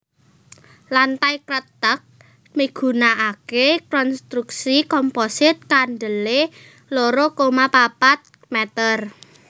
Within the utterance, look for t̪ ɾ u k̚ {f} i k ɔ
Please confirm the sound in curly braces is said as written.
no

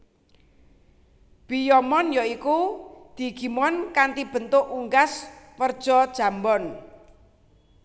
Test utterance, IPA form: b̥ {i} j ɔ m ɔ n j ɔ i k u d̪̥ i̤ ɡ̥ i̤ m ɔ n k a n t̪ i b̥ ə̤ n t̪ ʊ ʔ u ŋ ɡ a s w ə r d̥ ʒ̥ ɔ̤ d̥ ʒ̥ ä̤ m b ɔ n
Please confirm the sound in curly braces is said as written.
yes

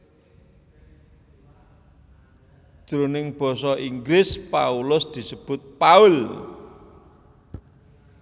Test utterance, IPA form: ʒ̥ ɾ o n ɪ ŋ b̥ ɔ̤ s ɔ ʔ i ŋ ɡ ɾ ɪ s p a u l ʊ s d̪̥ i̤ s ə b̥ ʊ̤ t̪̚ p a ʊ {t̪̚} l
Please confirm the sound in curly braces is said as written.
no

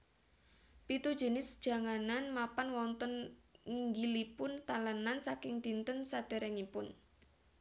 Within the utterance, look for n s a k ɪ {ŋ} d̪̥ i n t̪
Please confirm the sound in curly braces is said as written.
yes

